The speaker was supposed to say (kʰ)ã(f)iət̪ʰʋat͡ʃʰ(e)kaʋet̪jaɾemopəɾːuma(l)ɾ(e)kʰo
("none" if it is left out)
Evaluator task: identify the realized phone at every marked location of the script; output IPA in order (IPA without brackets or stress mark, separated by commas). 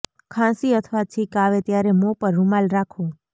kʰ, s, i, l, a